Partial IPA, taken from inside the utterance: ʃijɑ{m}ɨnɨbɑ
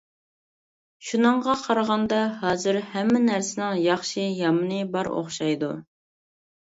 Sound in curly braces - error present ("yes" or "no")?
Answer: no